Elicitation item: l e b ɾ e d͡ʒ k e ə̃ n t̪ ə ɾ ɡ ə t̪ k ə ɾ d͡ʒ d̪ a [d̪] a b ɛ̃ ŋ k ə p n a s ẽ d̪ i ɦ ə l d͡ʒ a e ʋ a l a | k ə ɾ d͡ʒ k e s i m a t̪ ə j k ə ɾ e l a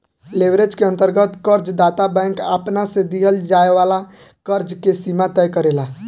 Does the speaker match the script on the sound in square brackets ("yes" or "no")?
no